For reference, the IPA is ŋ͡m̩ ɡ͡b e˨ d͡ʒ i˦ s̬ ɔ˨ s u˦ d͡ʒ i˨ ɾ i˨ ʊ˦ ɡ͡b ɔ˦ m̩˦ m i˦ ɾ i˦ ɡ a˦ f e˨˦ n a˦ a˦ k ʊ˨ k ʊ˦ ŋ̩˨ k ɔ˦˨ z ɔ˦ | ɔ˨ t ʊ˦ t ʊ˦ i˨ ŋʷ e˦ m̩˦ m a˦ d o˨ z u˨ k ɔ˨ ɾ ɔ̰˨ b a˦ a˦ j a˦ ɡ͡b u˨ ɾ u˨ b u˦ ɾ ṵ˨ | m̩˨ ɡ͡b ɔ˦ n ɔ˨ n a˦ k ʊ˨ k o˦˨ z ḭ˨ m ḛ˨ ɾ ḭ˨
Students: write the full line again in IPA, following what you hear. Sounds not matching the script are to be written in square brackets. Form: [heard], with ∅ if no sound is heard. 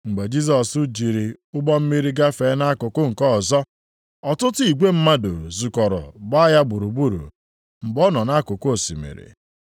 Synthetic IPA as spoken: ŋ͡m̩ ɡ͡b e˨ d͡ʒ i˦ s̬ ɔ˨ s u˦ d͡ʒ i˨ ɾ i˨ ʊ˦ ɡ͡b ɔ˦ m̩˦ m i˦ ɾ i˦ ɡ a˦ f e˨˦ n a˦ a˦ k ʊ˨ k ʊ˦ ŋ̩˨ k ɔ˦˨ z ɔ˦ | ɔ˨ t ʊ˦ t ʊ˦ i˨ [ɡʷ] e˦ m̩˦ m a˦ d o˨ z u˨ k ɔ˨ ɾ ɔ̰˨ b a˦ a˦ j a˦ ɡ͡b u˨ ɾ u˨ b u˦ ɾ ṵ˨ | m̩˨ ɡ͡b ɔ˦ n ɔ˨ n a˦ k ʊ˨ k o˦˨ [s] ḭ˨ m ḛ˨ ɾ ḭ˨